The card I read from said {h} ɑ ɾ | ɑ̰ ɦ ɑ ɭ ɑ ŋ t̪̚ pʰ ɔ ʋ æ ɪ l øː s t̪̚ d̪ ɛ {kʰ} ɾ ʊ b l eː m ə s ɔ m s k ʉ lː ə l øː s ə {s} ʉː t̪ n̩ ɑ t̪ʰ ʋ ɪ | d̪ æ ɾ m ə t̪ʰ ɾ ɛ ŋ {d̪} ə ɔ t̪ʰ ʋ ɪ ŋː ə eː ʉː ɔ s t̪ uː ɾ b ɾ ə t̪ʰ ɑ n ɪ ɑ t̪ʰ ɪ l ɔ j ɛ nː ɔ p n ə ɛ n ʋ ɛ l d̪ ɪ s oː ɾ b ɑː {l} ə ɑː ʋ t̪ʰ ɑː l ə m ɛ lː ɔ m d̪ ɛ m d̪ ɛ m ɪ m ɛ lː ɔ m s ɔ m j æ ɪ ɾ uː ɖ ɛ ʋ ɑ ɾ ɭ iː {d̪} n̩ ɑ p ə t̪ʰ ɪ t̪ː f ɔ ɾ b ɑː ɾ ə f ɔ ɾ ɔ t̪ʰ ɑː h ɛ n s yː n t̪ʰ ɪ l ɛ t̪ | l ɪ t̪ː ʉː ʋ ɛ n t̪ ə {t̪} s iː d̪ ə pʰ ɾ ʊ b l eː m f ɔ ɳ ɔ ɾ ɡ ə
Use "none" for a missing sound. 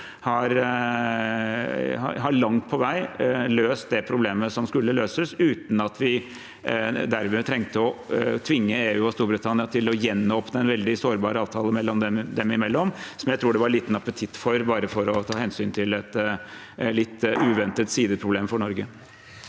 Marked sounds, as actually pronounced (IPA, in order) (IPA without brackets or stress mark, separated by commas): h, pʰ, s, t̪, ɾ, t̪, t̪